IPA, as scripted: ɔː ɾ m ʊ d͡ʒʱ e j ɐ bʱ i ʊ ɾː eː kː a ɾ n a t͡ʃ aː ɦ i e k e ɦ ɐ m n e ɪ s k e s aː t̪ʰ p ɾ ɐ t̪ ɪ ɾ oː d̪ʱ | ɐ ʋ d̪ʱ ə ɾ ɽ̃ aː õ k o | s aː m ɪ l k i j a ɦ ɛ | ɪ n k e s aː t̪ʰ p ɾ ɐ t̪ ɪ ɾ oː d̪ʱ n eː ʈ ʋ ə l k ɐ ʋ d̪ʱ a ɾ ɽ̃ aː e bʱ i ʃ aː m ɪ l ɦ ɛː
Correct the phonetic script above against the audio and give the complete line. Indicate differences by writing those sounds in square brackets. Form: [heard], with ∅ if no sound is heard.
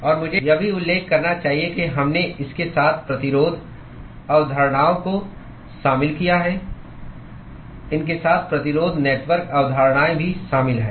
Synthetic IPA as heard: ɔː ɾ m ʊ d͡ʒʱ e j ɐ bʱ i ʊ [lː] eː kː [ɐ] ɾ n a t͡ʃ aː ɦ i e k e ɦ ɐ m n e ɪ s k e s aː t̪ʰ p ɾ ɐ t̪ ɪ ɾ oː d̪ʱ | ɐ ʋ d̪ʱ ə ɾ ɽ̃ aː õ k o | [ʃ] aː m ɪ l k i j a ɦ ɛ | ɪ n k e s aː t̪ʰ p ɾ ɐ t̪ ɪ ɾ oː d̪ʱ n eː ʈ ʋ ə [ɾ] k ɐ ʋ d̪ʱ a ɾ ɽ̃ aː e bʱ i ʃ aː m ɪ l ɦ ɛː